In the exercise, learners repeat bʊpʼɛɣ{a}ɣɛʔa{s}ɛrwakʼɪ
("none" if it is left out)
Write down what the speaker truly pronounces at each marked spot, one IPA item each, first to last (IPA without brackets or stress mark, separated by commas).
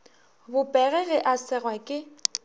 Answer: ɛ, s